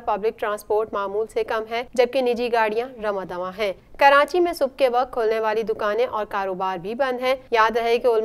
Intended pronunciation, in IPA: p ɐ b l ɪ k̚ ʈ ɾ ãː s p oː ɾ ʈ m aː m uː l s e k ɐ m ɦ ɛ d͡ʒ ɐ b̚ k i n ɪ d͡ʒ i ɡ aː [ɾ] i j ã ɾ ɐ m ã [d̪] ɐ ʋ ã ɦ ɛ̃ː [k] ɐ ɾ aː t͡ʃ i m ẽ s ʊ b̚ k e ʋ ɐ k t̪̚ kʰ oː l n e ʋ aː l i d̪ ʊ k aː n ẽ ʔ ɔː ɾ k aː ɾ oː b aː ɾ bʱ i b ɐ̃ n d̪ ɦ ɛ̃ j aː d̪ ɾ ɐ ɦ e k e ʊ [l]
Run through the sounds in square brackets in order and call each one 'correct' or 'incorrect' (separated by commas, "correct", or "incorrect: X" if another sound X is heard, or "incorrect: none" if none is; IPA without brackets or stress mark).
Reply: incorrect: ɽ, correct, correct, correct